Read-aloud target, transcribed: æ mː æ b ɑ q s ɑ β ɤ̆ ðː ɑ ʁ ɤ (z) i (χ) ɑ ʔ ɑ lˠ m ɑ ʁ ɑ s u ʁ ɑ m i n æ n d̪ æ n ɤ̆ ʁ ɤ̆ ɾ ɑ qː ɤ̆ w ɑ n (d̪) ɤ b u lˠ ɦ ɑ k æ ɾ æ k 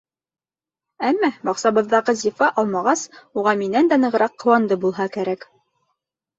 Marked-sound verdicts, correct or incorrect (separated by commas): correct, incorrect, correct